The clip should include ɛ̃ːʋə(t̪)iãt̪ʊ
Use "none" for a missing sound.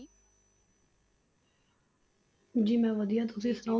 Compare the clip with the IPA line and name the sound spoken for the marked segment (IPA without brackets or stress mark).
d̪